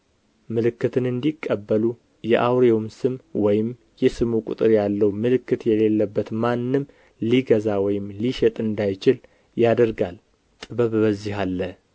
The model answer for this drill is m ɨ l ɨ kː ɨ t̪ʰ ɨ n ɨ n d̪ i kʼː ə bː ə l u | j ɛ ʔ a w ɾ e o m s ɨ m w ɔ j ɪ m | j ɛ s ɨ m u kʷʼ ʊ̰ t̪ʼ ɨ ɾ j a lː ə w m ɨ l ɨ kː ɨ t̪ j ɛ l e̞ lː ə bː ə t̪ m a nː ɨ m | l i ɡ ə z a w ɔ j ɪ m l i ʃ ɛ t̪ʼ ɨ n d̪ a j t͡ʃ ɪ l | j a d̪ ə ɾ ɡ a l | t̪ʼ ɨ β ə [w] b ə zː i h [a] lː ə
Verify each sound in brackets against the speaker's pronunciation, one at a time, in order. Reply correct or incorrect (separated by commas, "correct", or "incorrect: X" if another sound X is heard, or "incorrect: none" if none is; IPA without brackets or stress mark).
incorrect: β, correct